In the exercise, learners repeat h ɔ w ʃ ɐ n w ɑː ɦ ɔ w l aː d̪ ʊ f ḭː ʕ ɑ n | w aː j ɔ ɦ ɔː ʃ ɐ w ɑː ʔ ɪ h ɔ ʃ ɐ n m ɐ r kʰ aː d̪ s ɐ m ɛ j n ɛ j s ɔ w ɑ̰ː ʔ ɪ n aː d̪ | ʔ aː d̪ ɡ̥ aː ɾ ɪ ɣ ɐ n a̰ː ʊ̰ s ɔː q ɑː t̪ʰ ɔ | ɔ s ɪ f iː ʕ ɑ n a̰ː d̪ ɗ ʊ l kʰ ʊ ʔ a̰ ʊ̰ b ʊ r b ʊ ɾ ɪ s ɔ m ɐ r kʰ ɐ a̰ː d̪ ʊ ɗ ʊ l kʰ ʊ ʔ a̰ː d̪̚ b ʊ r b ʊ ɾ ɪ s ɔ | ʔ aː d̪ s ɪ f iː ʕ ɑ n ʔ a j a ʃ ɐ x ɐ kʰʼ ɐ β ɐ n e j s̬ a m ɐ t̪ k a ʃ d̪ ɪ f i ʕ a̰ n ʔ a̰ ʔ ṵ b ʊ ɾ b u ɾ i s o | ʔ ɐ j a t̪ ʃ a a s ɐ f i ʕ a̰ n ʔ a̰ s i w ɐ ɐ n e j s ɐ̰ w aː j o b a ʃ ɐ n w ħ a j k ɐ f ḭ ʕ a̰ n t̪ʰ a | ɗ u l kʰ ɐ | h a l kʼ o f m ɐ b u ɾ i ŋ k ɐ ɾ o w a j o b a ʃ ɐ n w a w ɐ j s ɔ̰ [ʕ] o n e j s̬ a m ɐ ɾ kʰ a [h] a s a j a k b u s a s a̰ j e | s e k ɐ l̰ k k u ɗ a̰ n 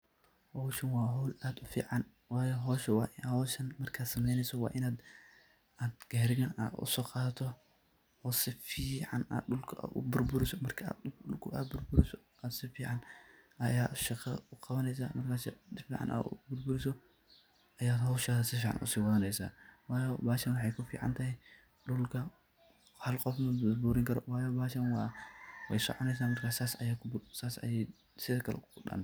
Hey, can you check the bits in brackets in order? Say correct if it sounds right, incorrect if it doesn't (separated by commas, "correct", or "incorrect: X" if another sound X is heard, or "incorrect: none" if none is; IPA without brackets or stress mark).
correct, incorrect: s